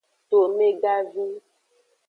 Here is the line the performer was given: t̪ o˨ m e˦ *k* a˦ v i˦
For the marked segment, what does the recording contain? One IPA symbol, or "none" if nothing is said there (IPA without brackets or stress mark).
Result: ɡ